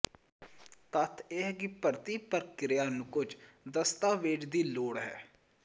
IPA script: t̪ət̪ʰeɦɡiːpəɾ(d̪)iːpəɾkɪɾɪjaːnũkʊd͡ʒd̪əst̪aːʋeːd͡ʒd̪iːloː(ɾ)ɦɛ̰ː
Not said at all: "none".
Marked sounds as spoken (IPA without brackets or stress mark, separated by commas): t̪, ɽ